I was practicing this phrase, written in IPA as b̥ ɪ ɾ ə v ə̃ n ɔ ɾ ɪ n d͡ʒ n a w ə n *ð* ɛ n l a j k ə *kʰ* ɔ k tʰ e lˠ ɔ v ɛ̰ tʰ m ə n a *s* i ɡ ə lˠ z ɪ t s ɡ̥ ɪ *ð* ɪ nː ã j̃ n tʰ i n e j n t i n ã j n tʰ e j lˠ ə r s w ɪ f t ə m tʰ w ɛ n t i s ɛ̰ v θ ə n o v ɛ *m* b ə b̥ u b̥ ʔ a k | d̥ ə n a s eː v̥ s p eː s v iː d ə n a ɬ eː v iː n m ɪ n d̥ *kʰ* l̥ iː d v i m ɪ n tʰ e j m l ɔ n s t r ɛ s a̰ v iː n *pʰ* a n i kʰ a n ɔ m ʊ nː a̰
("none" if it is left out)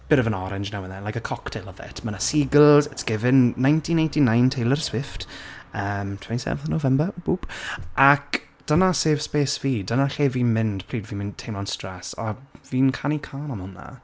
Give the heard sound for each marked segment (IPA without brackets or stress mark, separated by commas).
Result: ð, kʰ, s, v, m, pʰ, kʰ